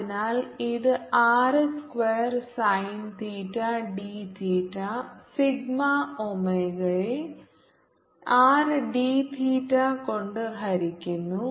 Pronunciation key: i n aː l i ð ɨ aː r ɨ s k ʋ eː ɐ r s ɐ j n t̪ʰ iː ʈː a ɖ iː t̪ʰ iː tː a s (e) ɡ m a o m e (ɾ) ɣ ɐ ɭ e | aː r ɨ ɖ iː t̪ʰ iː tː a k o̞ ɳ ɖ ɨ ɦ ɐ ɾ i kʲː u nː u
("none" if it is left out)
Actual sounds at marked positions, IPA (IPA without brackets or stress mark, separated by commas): i, none